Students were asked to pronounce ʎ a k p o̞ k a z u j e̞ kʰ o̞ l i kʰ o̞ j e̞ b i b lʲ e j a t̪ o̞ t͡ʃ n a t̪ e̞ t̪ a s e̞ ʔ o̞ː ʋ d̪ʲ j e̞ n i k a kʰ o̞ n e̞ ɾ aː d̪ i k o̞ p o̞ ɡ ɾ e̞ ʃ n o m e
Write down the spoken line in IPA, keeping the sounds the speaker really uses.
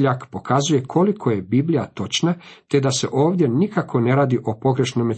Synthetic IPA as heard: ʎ a k p o̞ k a z u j e̞ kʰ o̞ l i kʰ o̞ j e̞ b i b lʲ i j a t̪ o̞ t͡ʃ n a t̪ e̞ d̪ a s e̞ ʔ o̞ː ʋ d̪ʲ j e̞ n i k a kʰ o̞ n e̞ ɾ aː d̪ i ʔ o̞ p o̞ ɡ ɾ e̞ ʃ n o m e